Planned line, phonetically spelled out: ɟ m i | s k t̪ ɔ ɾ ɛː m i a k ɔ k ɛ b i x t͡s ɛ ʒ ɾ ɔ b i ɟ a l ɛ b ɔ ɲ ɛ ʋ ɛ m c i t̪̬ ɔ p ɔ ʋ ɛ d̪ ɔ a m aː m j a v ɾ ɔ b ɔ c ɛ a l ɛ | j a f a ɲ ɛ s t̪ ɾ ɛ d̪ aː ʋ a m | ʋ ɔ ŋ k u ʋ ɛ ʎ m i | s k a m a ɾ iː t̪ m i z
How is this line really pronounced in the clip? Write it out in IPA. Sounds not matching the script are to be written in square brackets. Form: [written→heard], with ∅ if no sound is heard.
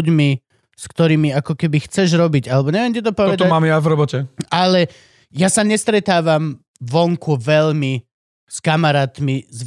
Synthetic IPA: ɟ m i | s k t̪ ɔ ɾ [ɛː→iː] m i a k ɔ k ɛ b i x t͡s ɛ ʒ ɾ ɔ b i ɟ a l ɛ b ɔ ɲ ɛ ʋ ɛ m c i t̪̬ ɔ p ɔ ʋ ɛ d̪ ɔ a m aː m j a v ɾ ɔ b ɔ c ɛ a l ɛ | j a [f→s] a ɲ ɛ s t̪ ɾ ɛ [d̪→t̪] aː ʋ a m | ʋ ɔ ŋ k u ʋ ɛ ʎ m i | s k a m a ɾ [iː→aː] t̪ m i z